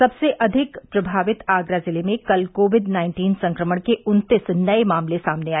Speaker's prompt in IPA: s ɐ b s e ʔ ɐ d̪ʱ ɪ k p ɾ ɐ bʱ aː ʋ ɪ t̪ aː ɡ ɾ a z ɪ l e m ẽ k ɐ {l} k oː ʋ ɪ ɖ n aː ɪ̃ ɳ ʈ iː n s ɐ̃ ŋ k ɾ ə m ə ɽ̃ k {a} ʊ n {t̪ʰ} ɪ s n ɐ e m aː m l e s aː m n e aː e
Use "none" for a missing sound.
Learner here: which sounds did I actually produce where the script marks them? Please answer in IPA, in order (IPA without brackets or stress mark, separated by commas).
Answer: l, e, t̪